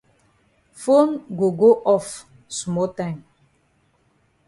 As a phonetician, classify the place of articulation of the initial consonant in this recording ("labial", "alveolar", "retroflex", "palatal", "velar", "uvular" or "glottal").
labial